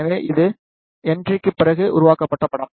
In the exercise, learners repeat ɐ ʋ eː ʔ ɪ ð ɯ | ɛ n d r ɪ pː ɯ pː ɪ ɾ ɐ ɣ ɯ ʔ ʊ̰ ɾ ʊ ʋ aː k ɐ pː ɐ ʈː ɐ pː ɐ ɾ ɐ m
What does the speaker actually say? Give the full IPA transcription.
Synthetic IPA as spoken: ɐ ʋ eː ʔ ɪ ð ɯ | ɛ n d r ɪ kː ɯ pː ɪ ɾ ɐ ɣ ɯ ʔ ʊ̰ ɾ ʊ ʋ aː k ɐ pː ɐ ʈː ɐ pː ɐ ɽ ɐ m